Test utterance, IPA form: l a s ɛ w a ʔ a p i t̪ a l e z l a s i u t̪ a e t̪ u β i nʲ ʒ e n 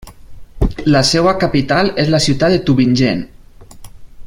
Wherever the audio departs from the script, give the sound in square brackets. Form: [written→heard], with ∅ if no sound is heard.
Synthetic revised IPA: l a s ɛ w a [ʔ→k] a p i t̪ a l e z l a s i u t̪ a e t̪ u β i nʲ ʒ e n